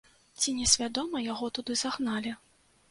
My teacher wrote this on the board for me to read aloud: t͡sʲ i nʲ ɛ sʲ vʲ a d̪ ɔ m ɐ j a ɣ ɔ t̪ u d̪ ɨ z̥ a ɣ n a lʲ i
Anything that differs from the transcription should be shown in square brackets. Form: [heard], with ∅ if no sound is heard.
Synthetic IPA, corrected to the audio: t͡sʲ i nʲ ɛ sʲ vʲ a d̪ ɔ m ɐ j a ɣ ɔ t̪ u d̪ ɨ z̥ a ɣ n a lʲ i